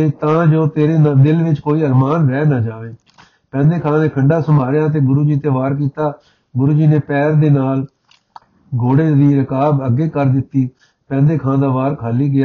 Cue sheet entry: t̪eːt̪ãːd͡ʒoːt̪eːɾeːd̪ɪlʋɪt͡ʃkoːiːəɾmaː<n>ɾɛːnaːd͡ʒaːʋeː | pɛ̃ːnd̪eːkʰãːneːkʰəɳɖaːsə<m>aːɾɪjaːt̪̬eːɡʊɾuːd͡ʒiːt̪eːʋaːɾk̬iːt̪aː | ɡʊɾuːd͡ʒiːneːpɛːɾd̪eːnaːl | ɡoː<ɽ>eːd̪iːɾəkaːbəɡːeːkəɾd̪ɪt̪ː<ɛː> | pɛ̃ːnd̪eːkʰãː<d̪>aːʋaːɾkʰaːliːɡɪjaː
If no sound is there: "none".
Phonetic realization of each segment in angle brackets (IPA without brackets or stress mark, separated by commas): n, m, ɽ, iː, d̪